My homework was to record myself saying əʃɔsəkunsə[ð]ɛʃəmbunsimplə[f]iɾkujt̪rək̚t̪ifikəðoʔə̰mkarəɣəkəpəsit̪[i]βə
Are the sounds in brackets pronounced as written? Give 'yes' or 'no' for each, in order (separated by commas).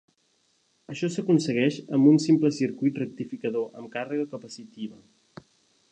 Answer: no, no, yes